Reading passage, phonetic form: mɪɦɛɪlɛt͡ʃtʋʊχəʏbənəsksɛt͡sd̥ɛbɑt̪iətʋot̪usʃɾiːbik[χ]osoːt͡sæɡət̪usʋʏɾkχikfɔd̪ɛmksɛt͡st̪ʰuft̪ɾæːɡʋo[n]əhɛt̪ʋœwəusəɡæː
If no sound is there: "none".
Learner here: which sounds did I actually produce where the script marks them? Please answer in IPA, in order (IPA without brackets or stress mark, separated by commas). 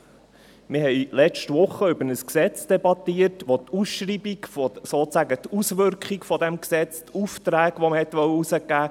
f, m